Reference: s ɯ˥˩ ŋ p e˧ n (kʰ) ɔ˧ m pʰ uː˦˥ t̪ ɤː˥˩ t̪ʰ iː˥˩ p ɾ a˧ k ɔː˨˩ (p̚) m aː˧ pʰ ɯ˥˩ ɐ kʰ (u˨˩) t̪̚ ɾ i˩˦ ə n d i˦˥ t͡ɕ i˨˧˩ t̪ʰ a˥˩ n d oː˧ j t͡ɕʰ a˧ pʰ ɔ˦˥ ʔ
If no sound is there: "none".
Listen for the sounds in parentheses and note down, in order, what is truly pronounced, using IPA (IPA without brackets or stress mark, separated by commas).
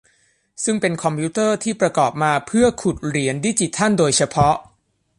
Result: kʰ, p̚, u˨˩